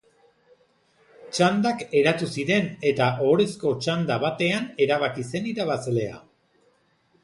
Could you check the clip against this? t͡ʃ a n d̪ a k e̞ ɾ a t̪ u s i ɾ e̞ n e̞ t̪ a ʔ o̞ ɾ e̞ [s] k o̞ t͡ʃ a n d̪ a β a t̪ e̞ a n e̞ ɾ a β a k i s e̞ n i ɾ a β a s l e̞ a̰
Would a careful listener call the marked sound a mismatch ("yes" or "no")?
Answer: no